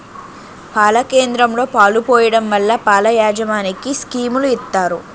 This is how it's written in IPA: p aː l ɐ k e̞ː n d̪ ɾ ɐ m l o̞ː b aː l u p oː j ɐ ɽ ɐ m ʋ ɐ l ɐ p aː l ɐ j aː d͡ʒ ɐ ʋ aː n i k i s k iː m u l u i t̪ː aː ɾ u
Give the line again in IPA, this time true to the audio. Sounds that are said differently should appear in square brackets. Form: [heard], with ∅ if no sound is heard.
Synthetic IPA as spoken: p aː l ɐ k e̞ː n d̪ ɾ ɐ m l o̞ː [p] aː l u p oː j ɐ ɽ ɐ m ʋ ɐ [lː] ɐ p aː l ɐ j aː d͡ʒ ɐ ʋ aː n i k i s k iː m u l u i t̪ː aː ɾ u